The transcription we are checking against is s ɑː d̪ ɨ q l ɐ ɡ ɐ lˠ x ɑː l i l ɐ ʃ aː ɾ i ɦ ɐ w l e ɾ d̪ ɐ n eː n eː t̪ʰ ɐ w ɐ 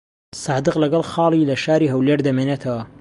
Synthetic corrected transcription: s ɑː d̪ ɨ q l ɐ ɡ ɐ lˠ x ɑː l i l ɐ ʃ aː ɾ i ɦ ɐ w l e ɾ d̪ ɐ m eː n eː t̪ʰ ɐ w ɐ